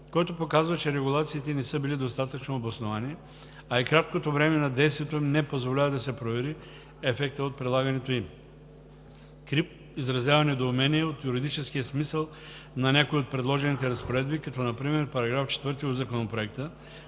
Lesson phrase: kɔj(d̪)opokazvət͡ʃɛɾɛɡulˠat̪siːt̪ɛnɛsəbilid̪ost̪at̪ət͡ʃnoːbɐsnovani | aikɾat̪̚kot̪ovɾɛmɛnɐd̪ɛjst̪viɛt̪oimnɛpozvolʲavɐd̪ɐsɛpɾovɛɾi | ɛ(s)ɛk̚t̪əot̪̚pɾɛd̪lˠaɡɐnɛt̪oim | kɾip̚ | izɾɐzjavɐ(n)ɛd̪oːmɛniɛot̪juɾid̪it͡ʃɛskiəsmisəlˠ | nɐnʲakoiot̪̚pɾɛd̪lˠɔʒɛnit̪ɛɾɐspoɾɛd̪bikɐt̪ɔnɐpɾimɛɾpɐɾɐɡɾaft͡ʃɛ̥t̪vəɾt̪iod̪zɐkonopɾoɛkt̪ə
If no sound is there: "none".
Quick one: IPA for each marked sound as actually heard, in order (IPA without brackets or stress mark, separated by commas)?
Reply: t̪, f, n